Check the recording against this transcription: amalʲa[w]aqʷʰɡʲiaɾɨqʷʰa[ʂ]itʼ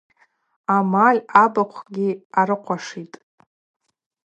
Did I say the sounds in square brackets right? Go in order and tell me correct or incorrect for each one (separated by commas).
incorrect, correct